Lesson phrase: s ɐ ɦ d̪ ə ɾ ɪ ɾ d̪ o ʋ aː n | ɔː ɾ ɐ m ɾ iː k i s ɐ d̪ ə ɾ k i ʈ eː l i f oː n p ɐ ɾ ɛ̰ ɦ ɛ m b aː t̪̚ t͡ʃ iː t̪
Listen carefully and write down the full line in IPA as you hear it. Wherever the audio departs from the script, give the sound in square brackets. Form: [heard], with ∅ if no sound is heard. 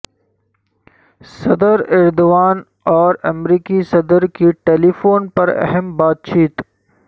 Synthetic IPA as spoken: s ɐ [∅] d̪ ə ɾ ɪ ɾ d̪ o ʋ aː n | ɔː ɾ ɐ m ɾ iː k i s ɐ d̪ ə ɾ k i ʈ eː l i f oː n p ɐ ɾ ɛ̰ ɦ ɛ m b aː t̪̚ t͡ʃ iː t̪